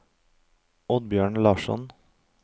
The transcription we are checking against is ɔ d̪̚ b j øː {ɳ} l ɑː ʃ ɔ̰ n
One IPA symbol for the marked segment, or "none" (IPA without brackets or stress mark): ɳ